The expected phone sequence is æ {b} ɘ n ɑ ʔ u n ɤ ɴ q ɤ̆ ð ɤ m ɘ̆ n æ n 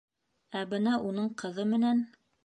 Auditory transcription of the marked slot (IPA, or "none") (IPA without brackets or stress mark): b